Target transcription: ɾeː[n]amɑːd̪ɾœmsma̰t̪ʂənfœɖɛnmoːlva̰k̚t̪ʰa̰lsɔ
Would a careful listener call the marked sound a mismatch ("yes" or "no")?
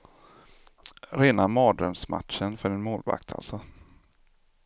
no